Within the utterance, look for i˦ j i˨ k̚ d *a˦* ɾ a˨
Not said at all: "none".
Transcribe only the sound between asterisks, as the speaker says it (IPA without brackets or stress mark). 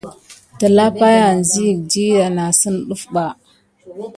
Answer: i˦